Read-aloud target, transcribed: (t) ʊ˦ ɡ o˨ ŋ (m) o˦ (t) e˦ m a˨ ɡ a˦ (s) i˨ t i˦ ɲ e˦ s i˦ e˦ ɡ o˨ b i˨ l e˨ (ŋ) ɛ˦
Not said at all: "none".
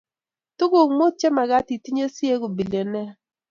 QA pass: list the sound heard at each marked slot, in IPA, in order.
t, m, t͡ʃ, t, n

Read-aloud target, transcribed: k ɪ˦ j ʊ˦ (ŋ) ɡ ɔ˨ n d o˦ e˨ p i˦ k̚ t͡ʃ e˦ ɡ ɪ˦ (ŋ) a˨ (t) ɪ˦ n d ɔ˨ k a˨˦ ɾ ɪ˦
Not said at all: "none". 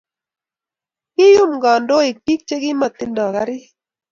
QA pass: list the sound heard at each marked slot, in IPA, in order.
m, m, t

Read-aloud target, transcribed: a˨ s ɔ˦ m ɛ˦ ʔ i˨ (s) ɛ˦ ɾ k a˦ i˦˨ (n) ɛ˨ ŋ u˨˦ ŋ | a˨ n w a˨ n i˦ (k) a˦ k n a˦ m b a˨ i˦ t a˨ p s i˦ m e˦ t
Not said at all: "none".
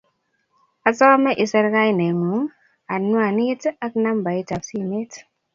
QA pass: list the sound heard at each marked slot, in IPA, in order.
s, n, t

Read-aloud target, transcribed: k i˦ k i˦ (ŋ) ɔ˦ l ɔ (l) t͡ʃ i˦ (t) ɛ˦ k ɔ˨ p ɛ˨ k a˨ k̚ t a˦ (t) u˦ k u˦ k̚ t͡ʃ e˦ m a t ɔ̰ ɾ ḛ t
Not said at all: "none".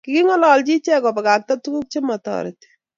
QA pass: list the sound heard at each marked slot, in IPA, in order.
ŋ, l, t͡ʃ, t

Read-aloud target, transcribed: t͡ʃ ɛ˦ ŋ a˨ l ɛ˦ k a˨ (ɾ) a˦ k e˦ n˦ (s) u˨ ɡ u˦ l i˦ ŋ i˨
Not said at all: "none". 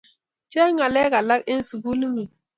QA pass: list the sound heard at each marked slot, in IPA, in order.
l, s

